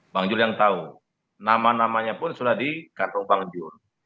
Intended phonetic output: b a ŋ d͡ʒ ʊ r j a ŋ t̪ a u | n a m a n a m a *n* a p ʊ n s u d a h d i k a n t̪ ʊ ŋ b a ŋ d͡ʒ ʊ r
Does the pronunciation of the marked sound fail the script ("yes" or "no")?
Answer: yes